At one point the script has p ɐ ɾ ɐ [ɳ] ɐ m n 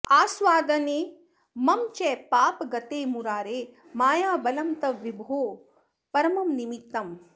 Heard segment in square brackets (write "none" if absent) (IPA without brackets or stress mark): m